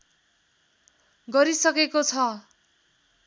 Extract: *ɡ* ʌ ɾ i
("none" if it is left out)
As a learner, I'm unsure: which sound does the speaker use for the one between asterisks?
ɡ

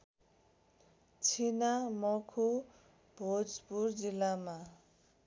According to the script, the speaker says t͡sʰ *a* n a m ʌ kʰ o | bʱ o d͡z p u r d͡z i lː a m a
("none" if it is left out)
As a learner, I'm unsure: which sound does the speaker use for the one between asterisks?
i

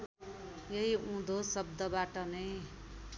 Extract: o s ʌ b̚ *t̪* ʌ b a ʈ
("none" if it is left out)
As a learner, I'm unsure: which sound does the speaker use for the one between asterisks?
d̪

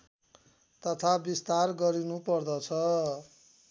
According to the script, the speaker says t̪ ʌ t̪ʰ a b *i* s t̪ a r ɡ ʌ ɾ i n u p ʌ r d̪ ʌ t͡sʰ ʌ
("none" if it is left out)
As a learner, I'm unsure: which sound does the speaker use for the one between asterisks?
i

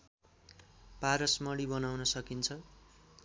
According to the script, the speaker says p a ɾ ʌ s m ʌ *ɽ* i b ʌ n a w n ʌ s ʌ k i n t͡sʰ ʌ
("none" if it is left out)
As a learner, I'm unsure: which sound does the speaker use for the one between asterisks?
ɽ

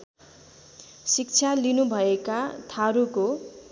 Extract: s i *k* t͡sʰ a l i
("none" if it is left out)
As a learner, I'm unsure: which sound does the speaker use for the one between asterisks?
k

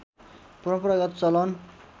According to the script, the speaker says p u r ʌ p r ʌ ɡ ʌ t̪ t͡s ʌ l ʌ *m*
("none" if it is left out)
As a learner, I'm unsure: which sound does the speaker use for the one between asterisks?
n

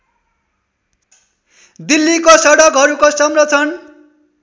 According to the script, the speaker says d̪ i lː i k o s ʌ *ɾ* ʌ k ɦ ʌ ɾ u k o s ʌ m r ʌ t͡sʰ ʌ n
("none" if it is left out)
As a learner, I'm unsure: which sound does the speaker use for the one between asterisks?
ɽ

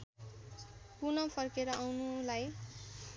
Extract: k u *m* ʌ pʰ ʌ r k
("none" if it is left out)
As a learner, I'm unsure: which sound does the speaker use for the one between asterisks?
n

